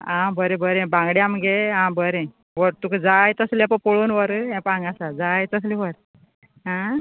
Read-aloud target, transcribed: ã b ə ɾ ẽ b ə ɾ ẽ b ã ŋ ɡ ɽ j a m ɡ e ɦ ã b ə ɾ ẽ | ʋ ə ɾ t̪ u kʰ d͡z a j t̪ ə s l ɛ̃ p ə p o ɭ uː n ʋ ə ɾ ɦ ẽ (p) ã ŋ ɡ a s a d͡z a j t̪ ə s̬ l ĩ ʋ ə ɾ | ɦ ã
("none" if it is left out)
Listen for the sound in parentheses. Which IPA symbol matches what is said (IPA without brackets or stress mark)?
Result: p